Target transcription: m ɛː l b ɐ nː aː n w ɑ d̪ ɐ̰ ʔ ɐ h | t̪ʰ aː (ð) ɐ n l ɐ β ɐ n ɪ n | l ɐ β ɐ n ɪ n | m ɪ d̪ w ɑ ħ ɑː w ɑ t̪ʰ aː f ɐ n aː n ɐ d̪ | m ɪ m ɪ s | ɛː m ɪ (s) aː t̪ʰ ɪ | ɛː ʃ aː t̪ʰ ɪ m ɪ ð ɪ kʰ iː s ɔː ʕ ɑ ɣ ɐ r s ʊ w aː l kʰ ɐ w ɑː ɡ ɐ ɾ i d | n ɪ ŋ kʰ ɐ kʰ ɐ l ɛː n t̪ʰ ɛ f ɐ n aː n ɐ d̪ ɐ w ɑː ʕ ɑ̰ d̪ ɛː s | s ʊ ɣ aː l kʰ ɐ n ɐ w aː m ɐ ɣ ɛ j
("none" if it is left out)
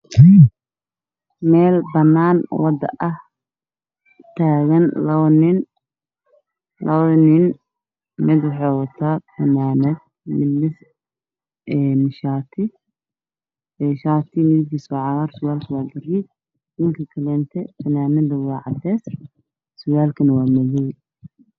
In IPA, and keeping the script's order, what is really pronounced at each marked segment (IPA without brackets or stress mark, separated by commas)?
ɣ, ʃ